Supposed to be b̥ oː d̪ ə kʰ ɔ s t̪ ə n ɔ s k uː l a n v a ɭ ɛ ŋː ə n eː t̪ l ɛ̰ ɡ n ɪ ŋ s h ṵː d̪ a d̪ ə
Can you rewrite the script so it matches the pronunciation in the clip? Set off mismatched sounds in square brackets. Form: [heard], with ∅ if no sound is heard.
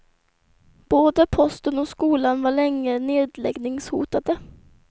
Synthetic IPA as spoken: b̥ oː d̪ ə [pʰ] ɔ s t̪ ə n ɔ s k uː l a n v a ɭ ɛ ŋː ə n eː [d̪] l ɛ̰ ɡ n ɪ ŋ s h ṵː [t̪] a d̪ ə